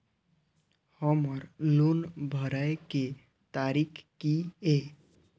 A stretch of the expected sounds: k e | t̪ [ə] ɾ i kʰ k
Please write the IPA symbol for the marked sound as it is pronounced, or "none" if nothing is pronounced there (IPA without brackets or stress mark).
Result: a